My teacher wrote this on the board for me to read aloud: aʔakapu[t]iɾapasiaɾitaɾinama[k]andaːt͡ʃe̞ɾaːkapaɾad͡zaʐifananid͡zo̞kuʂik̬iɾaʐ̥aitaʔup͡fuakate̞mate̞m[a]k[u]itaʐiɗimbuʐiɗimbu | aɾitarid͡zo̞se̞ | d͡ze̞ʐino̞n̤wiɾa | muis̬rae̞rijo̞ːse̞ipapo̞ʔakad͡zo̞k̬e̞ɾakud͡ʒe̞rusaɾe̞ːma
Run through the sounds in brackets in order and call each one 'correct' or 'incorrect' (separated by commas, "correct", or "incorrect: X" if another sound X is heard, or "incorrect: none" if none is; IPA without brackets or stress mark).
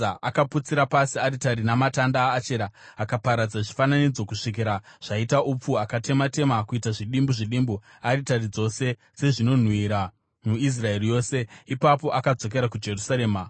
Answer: incorrect: t͡s, incorrect: t, correct, correct